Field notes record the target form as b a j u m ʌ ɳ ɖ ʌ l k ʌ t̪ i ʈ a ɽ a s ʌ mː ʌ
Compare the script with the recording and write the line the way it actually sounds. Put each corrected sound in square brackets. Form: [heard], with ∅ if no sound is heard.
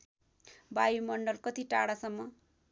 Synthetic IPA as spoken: b a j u m ʌ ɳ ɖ ʌ l k ʌ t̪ i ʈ a ɽ a s ʌ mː ʌ

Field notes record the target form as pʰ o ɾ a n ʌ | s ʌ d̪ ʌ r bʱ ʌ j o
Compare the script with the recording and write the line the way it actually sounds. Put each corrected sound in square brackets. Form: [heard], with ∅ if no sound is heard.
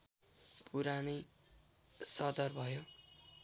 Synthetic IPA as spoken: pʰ [u] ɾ a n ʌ | s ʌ d̪ ʌ r bʱ ʌ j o

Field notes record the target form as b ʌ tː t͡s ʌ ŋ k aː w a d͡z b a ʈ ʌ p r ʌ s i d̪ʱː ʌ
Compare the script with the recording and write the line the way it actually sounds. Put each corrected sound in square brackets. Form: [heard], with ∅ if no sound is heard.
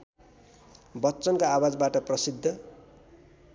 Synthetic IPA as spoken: b ʌ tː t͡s ʌ [n] k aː w a d͡z b a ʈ ʌ p r ʌ s i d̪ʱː ʌ

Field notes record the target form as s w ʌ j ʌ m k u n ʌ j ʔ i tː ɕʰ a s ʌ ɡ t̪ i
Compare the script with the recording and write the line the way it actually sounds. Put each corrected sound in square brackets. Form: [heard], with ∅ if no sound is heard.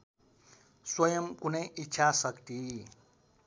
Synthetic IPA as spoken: s w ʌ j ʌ m k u n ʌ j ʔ i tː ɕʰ a s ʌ [k] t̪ i

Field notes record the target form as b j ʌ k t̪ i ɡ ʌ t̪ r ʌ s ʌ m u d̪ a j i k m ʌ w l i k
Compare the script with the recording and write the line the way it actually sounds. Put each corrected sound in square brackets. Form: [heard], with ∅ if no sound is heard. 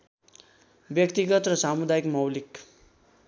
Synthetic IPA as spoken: b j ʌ k t̪ i ɡ ʌ t̪ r ʌ s [a] m u d̪ a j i k m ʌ w l i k

